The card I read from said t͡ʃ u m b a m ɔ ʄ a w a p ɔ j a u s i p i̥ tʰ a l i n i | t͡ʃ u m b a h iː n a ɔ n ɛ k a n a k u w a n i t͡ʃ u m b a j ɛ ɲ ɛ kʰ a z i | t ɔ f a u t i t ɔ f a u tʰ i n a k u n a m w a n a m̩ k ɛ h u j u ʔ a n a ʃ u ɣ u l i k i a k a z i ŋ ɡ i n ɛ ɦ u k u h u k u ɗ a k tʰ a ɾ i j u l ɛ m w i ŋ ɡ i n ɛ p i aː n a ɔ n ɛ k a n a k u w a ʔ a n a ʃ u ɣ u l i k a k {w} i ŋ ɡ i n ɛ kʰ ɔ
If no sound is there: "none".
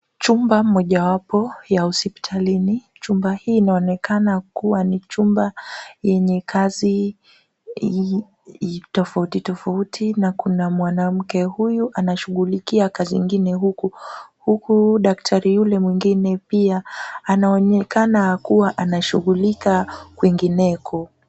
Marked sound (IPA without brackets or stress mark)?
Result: w